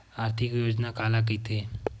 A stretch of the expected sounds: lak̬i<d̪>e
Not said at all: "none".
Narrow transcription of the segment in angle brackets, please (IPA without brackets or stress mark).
t̪